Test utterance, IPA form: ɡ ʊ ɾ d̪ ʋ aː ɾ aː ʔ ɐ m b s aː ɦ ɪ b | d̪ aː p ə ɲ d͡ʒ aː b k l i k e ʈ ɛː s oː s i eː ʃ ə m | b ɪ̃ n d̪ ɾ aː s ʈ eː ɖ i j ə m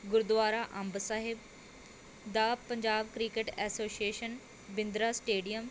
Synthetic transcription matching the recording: ɡ ʊ ɾ d̪ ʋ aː ɾ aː ʔ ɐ m b s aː ɦ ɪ b | d̪ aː p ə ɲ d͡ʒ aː b k ɾ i k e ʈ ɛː s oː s i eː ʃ ə n | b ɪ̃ n d̪ ɾ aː s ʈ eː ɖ i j ə m